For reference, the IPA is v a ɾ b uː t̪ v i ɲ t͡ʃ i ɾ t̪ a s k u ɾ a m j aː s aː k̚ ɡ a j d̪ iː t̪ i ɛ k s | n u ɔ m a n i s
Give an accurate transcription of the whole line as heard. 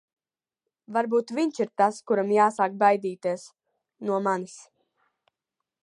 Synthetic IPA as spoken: v a ɾ b uː t̪ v i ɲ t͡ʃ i ɾ t̪ a s k u ɾ a m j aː s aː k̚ b a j d̪ iː t̪ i ɛ s | n u ɔ m a n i s